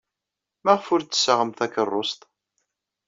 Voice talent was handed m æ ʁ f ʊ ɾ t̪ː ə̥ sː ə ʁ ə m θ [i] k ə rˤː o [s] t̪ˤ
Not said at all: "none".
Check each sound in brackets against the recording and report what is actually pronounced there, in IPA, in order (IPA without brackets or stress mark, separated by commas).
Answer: æ, s